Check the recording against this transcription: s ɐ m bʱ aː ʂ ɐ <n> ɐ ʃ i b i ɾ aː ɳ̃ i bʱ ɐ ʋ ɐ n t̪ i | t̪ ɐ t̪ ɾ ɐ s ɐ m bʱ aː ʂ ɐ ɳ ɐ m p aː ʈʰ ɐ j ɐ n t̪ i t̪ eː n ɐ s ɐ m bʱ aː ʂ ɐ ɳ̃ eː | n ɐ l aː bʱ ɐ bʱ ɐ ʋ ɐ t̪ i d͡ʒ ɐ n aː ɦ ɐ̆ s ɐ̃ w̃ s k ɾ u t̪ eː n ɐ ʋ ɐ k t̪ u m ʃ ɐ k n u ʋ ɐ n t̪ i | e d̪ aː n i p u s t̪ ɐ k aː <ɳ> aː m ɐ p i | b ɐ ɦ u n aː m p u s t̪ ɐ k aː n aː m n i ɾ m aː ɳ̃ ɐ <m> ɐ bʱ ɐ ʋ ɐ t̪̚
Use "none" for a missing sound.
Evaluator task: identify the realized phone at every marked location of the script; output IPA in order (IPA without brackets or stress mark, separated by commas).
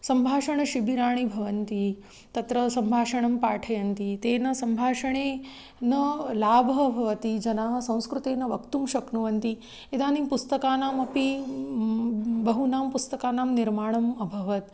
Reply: ɳ, n, m